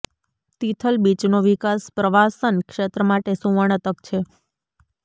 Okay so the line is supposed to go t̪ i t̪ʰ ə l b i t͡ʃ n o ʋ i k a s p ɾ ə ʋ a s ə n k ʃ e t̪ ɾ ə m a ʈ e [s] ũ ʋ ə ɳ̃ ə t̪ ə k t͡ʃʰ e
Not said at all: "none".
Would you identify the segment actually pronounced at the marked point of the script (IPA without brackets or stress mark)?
s